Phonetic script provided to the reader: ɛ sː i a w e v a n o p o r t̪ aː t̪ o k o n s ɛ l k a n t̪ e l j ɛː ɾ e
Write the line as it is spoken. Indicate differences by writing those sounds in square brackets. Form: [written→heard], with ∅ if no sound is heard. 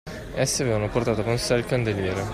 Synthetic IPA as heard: ɛ sː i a [w→v] e v a n o p o r t̪ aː t̪ o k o n s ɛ l k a n [t̪→d̪] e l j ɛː ɾ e